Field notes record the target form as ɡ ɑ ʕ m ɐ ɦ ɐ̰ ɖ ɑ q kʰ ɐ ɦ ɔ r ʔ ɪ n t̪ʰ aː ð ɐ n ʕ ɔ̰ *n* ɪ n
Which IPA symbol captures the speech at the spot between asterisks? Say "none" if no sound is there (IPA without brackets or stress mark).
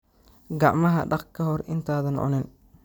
n